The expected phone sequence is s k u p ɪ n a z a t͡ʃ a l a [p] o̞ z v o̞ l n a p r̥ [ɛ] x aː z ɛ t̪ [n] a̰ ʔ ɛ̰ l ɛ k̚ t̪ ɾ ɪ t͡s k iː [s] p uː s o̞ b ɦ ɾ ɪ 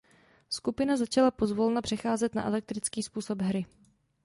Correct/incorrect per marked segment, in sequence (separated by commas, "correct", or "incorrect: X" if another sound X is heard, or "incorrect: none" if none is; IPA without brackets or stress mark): correct, correct, correct, correct